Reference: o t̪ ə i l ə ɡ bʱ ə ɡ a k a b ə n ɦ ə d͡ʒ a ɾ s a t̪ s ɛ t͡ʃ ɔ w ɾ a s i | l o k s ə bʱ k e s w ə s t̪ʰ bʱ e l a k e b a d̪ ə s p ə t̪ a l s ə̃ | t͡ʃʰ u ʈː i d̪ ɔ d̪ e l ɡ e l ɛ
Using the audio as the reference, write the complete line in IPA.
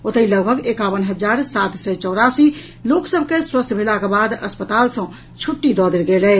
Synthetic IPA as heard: o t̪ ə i l ə ɡ bʱ ə ɡ e k a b ə n ɦ ə d͡ʒ a ɾ s a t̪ s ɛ t͡ʃ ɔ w ɾ a s i | l o k s ə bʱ k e s w ə s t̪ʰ bʱ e l a k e b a d̪ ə s p ə t̪ a l s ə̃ | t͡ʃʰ u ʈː i d̪ ɔ d̪ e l ɡ e l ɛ